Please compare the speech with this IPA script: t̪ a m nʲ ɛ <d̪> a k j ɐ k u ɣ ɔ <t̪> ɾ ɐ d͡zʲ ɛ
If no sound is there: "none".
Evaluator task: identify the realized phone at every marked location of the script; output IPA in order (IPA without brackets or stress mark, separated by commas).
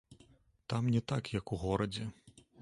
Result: t̪, none